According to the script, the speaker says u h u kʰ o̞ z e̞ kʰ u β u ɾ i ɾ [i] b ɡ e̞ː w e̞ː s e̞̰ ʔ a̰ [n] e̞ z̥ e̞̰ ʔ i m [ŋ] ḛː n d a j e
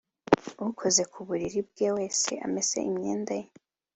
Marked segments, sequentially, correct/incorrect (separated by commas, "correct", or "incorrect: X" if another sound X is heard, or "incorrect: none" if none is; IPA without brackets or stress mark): correct, incorrect: m, incorrect: ɲ